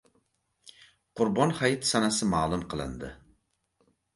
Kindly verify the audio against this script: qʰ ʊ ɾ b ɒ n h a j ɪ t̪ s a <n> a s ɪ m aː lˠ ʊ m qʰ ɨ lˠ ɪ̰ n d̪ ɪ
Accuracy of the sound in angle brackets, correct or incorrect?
correct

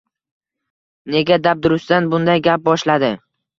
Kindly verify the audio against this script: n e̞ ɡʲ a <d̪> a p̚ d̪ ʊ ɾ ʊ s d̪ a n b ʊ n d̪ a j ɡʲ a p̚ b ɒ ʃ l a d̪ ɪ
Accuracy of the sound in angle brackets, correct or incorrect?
correct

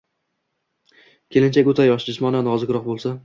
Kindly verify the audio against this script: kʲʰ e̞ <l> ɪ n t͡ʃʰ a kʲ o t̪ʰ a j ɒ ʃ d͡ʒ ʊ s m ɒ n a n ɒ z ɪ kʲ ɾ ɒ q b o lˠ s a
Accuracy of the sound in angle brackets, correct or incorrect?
correct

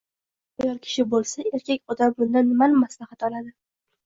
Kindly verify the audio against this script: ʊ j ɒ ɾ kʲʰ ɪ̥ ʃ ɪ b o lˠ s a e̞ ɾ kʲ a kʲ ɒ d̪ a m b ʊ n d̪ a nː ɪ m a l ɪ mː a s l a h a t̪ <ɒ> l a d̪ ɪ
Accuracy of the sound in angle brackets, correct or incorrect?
correct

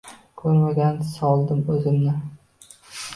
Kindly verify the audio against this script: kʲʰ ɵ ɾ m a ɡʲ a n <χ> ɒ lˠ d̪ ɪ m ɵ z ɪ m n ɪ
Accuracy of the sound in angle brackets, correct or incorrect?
incorrect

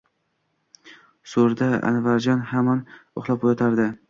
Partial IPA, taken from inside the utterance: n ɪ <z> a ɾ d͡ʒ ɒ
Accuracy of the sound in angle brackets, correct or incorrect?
incorrect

